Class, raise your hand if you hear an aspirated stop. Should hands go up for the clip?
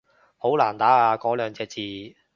no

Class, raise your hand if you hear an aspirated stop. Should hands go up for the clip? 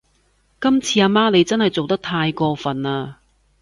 yes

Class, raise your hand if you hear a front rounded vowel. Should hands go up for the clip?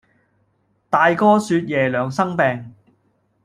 yes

